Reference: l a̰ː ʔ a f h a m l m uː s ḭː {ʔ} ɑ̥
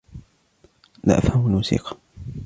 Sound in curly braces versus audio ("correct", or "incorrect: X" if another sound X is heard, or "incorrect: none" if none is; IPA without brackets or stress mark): incorrect: q